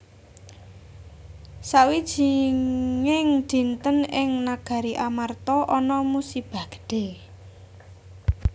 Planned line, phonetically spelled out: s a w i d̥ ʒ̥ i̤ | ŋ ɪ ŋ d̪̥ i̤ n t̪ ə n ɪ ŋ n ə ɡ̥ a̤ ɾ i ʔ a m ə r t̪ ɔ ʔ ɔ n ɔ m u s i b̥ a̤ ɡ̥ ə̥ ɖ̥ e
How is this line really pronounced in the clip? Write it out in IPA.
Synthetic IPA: s a w i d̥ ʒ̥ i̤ | ŋ ɪ ŋ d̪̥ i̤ n t̪ ə n ɪ ŋ n a ɡ̥ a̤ ɾ i ʔ a m a r t̪ ɔ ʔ ɔ n ɔ m u s i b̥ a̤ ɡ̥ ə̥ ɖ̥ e